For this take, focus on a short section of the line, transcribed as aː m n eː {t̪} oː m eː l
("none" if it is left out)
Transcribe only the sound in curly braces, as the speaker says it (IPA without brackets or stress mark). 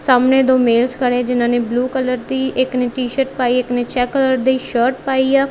d̪